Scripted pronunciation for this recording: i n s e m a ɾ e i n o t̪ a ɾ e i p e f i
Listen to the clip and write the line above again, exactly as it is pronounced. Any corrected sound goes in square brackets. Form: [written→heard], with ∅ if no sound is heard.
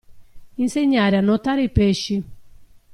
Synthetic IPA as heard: i n s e [m→ɲ] a ɾ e [i→a] n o t̪ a ɾ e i p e [f→ʃ] i